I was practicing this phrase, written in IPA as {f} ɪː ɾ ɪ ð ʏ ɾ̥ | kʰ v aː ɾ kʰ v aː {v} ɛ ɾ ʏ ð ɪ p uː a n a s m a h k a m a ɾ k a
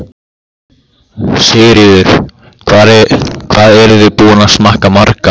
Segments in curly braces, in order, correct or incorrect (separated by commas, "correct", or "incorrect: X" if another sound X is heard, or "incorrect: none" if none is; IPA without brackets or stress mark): incorrect: s, incorrect: ð